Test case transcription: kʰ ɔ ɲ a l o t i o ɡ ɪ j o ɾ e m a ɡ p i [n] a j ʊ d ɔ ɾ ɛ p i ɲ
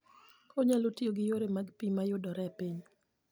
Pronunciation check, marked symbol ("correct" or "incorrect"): incorrect